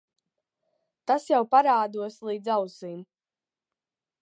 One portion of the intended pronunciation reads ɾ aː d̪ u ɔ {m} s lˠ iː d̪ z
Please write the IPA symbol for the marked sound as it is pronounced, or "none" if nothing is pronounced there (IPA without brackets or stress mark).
none